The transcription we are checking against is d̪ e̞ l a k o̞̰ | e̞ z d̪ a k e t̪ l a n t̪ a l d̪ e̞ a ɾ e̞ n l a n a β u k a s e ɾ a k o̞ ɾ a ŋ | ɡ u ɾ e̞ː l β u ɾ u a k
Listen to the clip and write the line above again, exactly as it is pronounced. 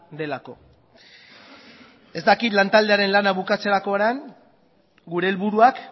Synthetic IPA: d̪ e̞ l a k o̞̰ | e̞ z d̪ a k i t̪ l a n t̪ a l d̪ e̞ a ɾ e̞ n l a n a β u k a t͡s e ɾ a k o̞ ɾ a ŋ | ɡ u ɾ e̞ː l β u ɾ u a k